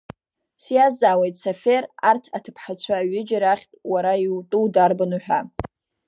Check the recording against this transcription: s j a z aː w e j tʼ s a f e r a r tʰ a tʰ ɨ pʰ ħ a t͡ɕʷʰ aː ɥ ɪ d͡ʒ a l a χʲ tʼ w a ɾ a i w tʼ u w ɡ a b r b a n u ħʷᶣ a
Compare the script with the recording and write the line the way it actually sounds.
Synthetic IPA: s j a z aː w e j tʼ s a f e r a r tʰ a tʰ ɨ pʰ ħ a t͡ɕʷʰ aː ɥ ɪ d͡ʒ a ɾ a χʲ tʼ w a ɾ a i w tʼ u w d a r b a n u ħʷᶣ a